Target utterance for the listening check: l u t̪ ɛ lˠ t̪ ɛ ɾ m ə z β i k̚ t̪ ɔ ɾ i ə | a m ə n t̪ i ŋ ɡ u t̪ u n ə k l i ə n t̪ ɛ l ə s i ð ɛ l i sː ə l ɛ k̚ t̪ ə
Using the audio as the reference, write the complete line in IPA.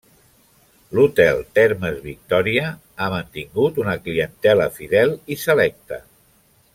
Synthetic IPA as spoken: l u t̪ ɛ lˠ t̪ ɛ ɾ m ə z β i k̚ t̪ ɔ ɾ i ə | a m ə n t̪ i ŋ ɡ u t̪ u n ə k l i ə n t̪ ɛ l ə f i ð ɛ l i s ə l ɛ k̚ t̪ ə